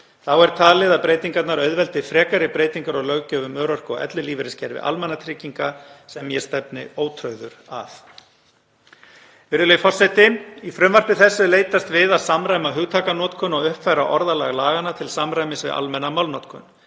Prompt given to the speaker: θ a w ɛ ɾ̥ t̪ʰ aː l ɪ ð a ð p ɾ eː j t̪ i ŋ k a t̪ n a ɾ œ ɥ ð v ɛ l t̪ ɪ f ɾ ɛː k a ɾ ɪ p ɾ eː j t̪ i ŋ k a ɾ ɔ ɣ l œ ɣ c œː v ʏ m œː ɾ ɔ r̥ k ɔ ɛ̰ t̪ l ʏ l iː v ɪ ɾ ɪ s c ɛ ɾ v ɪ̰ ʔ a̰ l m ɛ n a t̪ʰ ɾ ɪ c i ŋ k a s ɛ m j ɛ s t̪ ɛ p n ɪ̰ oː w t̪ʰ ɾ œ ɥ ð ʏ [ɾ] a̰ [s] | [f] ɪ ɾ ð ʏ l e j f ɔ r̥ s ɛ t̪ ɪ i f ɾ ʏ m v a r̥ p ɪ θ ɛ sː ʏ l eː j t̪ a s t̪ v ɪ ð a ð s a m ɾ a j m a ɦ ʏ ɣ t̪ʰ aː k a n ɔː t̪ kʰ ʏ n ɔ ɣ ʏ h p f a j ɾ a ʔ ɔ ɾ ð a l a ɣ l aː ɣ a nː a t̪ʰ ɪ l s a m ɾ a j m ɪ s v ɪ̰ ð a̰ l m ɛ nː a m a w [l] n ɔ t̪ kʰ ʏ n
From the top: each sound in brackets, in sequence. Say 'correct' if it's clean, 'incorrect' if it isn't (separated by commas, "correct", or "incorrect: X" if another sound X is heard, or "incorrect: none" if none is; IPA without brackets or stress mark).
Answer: correct, incorrect: θ, incorrect: v, correct